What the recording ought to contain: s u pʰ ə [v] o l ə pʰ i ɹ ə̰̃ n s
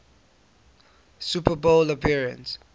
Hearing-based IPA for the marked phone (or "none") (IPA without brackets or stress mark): b